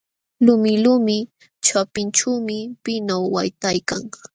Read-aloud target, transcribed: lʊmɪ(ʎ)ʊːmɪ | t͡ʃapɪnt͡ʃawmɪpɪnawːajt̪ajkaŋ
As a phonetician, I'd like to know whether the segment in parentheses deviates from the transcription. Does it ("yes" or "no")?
yes